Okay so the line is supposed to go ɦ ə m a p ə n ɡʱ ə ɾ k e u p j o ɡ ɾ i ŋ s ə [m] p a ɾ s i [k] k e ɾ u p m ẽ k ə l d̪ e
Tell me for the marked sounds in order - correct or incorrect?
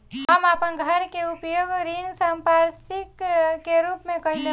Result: correct, correct

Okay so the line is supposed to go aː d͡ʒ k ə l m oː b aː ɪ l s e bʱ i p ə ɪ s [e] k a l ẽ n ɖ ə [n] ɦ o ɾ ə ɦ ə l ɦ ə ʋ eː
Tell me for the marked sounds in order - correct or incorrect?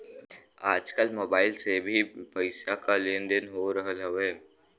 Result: incorrect: a, correct

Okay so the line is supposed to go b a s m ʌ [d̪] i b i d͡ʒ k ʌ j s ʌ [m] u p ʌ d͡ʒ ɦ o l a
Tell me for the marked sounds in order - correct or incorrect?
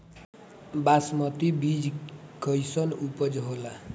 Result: incorrect: t̪, incorrect: n

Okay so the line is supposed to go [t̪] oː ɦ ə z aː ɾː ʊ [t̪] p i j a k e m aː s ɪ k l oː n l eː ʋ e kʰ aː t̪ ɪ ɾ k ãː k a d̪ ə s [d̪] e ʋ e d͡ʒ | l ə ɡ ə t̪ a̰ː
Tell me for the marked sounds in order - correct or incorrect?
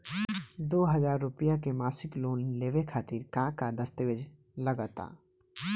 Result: incorrect: d̪, incorrect: none, incorrect: t̪

